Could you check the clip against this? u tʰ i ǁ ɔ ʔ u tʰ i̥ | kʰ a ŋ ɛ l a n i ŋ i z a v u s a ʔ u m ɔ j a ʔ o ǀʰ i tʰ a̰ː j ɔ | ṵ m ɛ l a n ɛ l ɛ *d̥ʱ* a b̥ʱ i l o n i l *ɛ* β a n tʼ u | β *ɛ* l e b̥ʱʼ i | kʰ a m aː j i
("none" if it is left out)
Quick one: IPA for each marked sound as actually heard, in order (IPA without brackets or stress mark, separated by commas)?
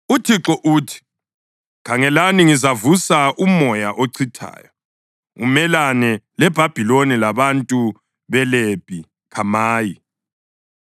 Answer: b̥ʱ, a, ɛ